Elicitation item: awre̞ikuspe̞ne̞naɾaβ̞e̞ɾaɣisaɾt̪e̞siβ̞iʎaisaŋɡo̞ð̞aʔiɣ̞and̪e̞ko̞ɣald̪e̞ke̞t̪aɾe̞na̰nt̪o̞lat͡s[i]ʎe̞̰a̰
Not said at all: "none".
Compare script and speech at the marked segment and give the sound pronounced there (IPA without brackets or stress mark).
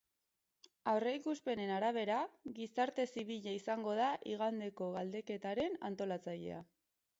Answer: a